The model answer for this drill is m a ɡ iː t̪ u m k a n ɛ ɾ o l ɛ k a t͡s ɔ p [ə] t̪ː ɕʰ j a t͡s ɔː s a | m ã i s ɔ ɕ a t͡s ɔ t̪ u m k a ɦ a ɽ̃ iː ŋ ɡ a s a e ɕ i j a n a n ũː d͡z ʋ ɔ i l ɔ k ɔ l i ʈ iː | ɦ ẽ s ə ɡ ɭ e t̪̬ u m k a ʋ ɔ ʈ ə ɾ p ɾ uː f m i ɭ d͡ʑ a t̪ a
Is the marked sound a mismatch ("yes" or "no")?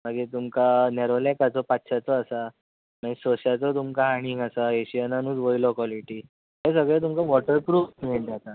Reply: yes